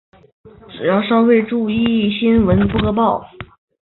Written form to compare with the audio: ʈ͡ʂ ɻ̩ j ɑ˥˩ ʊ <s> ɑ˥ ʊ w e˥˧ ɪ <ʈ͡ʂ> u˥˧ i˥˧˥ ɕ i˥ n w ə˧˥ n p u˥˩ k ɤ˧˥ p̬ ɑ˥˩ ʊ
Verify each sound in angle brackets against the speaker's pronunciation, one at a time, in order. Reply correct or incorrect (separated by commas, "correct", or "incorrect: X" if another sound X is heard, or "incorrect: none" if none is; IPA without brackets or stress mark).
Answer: incorrect: ʂ, correct